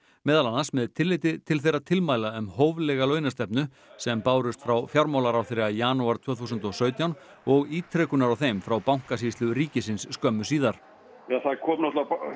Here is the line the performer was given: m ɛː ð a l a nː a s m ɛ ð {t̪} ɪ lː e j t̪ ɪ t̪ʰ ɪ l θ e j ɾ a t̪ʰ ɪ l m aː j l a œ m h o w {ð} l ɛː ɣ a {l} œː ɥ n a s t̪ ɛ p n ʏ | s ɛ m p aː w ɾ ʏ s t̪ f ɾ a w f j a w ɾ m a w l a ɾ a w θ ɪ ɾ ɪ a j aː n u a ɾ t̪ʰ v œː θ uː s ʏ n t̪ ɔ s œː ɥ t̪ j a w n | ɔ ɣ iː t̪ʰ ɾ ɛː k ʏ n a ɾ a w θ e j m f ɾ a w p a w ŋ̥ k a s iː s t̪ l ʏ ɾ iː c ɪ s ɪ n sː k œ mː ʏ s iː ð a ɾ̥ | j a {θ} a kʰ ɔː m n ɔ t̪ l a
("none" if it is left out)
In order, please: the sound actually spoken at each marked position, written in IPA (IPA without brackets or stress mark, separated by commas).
t̪ʰ, v, l, θ